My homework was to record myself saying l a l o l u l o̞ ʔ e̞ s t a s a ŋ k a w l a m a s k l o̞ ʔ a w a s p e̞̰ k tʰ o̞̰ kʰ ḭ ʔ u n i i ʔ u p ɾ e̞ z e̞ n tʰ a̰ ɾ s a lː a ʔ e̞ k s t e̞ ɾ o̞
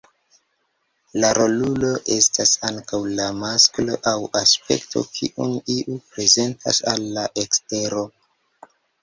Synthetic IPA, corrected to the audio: l a ɾ o l u l o̞ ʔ e̞ s t a s a ŋ k a w l a m a s k l o̞ ʔ a w a s p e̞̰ k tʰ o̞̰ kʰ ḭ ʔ u n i i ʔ u p ɾ e̞ z e̞ n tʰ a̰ s a lː a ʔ e̞ k s t e̞ ɾ o̞